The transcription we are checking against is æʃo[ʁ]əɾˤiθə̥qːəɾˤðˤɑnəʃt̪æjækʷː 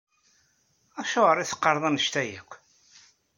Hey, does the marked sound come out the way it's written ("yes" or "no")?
yes